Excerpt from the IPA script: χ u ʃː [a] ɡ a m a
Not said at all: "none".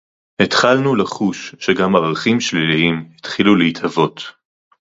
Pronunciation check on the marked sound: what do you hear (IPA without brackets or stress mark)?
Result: e